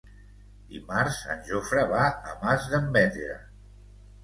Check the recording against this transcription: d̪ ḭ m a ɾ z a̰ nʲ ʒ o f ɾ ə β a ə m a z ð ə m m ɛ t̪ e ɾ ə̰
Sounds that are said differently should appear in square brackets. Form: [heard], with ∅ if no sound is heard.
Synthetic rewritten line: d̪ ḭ m a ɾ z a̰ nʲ ʒ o f ɾ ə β a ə m a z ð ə m [b] ɛ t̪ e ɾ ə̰